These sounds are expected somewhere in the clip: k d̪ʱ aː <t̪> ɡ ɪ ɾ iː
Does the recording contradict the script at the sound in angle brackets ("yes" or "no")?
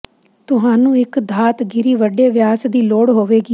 no